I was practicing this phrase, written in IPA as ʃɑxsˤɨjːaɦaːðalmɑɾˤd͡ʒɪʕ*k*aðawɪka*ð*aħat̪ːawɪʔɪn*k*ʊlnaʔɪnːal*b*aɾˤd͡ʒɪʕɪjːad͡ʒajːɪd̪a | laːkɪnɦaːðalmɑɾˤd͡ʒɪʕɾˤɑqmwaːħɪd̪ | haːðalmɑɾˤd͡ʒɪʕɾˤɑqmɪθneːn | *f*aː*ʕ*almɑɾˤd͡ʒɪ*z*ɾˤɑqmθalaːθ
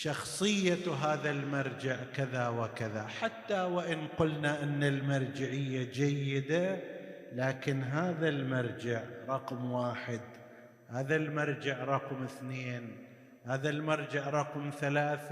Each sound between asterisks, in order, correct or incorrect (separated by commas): correct, correct, incorrect, incorrect, incorrect, incorrect, incorrect